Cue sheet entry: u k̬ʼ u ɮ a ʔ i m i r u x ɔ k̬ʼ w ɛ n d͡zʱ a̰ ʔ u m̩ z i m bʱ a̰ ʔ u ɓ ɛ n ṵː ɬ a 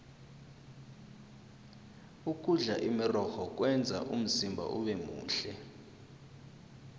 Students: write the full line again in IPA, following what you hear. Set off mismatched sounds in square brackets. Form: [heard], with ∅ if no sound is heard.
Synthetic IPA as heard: u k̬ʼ u ɮ a ʔ i m i r [ɔ] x ɔ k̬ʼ w ɛ n d͡zʱ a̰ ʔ u m̩ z i m bʱ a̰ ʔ u ɓ ɛ [m] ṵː ɬ [ɛ]